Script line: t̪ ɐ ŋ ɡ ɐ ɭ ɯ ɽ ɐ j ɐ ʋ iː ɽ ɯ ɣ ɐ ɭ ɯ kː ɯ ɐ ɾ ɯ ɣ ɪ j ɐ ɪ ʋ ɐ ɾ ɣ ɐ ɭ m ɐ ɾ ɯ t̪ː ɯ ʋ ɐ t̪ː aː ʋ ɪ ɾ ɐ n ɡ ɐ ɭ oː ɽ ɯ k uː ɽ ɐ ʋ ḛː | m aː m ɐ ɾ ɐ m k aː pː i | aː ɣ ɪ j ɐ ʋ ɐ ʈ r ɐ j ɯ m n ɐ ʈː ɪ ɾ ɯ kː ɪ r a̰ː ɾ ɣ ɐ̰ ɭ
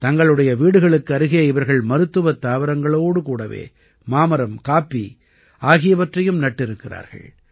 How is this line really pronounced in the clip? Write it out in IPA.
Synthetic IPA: t̪ ɐ ŋ ɡ ɐ ɭ ɯ ɽ ɐ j ɐ ʋ iː ɽ ɯ ɣ ɐ ɭ ɯ kː ɯ ɐ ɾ ɯ ɣ ɪ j ɐ ɪ ʋ ɐ ɾ ɣ ɐ ɭ m ɐ ɾ ɯ t̪ː ɯ ʋ ɐ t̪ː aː ʋ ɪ ɾ ɐ ŋ ɡ ɐ ɭ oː ɽ ɯ k uː ɽ ɐ ʋ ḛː | m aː m ɐ ɾ ɐ m k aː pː i | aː ɣ ɪ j ɐ ʋ ɐ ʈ r ɐ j ɯ m n ɐ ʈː ɪ ɾ ɯ kː ɪ r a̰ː ɾ ɣ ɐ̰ ɭ